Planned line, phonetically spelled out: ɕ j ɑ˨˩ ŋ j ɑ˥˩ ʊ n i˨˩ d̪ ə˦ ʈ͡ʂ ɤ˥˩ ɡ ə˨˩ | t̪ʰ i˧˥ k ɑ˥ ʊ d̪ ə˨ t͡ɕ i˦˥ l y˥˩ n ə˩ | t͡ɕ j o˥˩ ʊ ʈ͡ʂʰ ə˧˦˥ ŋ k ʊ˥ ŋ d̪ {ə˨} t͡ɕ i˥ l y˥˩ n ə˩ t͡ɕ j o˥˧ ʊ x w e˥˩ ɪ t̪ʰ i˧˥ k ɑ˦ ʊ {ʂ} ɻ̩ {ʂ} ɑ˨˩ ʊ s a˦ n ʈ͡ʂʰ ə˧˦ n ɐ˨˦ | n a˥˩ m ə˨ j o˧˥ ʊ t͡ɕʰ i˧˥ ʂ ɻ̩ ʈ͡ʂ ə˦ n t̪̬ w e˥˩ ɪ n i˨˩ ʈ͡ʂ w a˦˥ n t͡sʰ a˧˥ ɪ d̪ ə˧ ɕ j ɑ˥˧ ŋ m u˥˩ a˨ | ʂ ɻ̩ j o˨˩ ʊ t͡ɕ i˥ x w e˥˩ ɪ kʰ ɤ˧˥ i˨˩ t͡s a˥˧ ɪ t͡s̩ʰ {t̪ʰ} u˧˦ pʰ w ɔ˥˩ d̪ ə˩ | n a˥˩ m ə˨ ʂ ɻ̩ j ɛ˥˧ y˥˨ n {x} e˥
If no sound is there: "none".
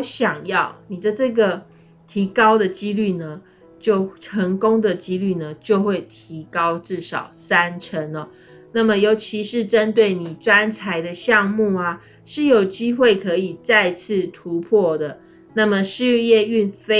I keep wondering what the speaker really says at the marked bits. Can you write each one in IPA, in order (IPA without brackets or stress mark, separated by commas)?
ə˨, ʈ͡ʂ, ʂ, t̪ʰ, f